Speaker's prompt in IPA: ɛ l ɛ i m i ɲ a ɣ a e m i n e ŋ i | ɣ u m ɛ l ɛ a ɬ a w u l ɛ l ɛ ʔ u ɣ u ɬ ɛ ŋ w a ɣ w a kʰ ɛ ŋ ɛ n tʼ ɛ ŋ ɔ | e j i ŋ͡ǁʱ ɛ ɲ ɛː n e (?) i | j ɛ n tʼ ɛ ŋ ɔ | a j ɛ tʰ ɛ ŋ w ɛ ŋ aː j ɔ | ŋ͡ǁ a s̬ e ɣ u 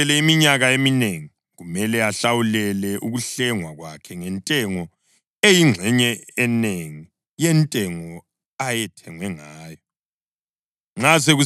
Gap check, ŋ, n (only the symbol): ŋ